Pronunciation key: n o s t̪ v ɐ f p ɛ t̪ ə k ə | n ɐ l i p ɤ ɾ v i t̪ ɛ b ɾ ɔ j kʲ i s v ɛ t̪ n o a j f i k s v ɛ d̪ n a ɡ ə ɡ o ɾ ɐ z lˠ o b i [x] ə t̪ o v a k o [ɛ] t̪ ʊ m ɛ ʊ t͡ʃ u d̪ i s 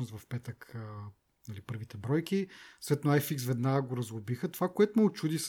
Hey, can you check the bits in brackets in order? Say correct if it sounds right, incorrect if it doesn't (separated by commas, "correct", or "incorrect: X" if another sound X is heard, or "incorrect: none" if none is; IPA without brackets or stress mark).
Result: correct, correct